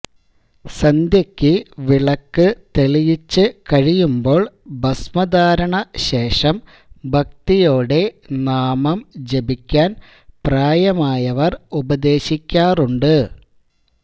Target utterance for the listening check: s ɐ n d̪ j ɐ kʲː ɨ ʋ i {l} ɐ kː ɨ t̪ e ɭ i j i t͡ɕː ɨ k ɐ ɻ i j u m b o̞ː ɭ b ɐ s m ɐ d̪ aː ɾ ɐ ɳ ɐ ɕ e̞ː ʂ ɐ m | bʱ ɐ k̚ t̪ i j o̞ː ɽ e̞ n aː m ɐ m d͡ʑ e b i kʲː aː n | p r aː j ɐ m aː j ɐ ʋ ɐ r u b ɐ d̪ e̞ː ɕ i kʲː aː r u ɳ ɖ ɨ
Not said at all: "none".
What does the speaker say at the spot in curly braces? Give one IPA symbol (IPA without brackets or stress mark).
ɭ